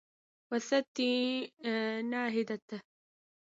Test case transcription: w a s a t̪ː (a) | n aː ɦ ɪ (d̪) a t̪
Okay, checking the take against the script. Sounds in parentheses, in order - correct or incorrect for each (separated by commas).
incorrect, correct